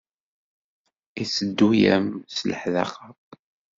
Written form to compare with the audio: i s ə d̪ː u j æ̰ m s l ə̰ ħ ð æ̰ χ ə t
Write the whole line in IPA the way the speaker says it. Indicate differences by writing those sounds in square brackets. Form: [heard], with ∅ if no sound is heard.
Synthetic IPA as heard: i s ə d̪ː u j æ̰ m s l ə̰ ħ ð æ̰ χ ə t